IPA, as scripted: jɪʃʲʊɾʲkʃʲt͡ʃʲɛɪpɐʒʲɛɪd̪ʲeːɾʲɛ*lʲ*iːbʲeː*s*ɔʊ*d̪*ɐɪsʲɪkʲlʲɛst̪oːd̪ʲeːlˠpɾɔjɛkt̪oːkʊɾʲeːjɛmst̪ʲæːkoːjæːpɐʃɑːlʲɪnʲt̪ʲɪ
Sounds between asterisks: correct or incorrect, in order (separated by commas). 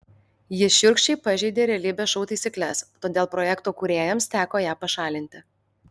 correct, incorrect, incorrect